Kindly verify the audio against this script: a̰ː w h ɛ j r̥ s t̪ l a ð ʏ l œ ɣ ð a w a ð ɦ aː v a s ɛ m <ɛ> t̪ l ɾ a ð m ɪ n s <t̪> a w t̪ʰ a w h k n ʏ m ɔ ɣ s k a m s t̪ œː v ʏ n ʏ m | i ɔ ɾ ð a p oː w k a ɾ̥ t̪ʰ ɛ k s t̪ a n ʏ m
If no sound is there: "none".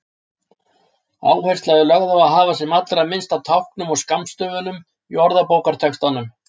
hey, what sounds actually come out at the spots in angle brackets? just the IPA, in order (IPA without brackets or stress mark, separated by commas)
a, t̪